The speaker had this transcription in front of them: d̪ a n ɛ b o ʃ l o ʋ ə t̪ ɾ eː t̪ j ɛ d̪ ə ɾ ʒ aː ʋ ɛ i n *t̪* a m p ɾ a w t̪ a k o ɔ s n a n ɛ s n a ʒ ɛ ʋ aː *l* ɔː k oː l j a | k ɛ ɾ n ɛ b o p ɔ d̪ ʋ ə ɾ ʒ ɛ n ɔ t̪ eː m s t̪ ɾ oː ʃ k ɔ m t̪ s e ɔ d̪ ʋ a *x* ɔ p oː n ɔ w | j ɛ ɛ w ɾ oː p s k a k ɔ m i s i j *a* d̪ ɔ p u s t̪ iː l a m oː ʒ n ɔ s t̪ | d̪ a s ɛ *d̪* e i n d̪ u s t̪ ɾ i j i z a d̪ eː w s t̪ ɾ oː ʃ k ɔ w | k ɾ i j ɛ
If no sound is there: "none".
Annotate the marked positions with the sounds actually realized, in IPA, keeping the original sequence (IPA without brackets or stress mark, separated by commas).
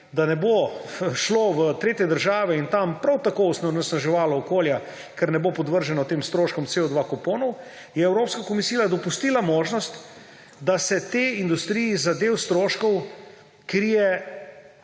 t̪, l, k, a, t̪